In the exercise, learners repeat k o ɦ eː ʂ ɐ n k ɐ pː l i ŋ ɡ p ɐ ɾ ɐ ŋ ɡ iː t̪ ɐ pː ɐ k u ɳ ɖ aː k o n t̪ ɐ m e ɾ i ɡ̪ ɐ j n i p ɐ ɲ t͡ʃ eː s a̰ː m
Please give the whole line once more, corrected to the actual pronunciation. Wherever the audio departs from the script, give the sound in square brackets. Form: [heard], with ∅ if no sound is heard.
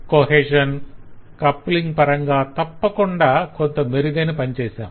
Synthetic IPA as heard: k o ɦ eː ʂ ɐ n k ɐ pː l i ŋ ɡ p ɐ ɾ ɐ ŋ ɡ [aː] t̪ ɐ pː ɐ k u ɳ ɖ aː k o n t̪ ɐ m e ɾ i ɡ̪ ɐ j n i p ɐ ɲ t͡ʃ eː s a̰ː m